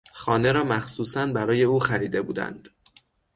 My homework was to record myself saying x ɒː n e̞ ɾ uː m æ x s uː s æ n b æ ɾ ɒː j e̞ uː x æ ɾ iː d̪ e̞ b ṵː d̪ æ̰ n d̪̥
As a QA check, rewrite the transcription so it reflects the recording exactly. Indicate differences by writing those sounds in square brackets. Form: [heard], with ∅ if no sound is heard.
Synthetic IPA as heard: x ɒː n e̞ ɾ [ɒː] m æ x s uː s æ n b æ ɾ ɒː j e̞ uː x æ ɾ iː d̪ e̞ b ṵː d̪ æ̰ n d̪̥